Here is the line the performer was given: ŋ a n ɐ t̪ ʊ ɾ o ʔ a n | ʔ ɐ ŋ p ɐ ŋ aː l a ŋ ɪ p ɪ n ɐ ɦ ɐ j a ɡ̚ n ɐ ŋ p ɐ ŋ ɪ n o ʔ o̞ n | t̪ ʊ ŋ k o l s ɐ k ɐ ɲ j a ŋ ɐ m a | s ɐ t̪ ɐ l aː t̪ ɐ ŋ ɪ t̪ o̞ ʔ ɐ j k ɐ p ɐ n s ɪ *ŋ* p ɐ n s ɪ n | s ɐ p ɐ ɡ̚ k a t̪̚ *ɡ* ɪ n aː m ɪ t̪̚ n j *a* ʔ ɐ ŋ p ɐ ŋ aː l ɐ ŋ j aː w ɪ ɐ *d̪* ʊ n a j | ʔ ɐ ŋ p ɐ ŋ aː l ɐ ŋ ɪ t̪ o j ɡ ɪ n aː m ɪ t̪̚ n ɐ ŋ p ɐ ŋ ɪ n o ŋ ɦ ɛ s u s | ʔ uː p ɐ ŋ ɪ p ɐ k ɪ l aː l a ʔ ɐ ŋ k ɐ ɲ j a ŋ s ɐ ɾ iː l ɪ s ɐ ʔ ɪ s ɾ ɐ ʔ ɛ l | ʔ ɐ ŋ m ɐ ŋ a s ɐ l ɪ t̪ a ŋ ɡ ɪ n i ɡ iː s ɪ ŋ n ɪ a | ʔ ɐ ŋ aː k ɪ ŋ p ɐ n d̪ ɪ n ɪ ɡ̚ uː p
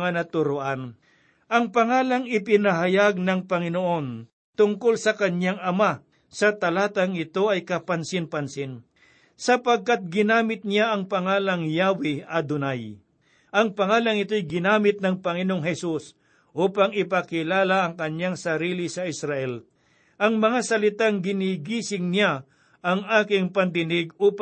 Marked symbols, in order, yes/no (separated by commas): no, yes, yes, yes